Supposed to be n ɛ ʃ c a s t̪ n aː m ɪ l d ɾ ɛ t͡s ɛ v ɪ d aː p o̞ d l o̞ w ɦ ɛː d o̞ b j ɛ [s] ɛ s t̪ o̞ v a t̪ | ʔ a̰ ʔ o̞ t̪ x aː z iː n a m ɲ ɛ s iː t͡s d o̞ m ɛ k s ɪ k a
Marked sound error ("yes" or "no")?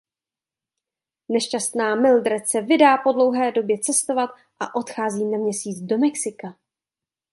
yes